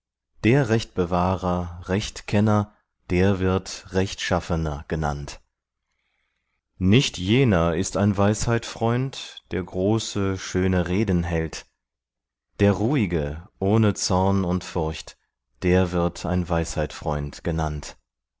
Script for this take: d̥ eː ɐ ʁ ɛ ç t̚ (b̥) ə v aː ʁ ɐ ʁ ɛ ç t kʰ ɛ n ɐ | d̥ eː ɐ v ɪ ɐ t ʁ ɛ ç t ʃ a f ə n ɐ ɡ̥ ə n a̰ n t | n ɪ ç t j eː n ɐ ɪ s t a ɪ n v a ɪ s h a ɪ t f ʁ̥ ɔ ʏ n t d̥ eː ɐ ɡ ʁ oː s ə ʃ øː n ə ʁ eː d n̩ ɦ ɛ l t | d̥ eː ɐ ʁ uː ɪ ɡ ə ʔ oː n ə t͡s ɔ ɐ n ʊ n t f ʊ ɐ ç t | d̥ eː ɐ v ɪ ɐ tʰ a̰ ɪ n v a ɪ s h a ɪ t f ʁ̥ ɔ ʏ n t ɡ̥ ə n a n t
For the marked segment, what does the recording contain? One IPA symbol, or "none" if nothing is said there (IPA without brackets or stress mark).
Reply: b̥